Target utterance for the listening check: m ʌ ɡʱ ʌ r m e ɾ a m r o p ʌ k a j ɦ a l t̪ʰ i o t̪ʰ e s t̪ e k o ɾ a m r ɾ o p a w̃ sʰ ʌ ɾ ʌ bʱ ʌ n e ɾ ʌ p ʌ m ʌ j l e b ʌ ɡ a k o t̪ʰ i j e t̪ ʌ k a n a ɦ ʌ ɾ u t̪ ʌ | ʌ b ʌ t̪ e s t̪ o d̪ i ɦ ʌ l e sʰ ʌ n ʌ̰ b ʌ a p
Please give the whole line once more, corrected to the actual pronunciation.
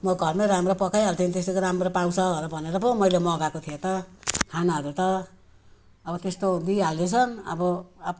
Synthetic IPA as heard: m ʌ ɡʱ ʌ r m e ɾ a m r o p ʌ k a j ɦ a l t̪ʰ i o t̪ e s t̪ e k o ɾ a m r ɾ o p a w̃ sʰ ʌ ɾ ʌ bʱ ʌ n e ɾ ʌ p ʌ m ʌ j l e m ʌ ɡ a k o t̪ʰ i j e t̪ ʌ kʰ a n a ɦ ʌ ɾ u t̪ ʌ | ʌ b ʌ t̪ e s t̪ o d̪ i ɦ a l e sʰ ʌ n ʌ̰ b ʌ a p